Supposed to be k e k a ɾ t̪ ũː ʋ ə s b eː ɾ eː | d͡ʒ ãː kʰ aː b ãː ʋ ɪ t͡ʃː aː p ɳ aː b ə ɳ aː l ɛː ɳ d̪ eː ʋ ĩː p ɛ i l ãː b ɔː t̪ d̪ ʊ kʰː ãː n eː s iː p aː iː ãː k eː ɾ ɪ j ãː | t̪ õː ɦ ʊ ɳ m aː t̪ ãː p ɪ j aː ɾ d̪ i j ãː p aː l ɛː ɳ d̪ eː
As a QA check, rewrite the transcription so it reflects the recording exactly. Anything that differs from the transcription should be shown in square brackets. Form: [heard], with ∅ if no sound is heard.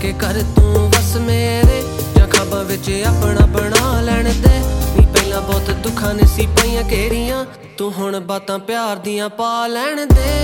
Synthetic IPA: k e k [ə] ɾ t̪ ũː ʋ ə s [m] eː ɾ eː | d͡ʒ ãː kʰ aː b ãː ʋ ɪ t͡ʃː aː p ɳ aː b ə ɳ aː l ɛː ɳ d̪ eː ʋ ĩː p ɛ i l ãː b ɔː t̪ d̪ ʊ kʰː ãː n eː s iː p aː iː ãː k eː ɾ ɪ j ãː | t̪ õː ɦ ʊ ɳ [b] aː t̪ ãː p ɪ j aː ɾ d̪ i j ãː p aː l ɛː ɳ d̪ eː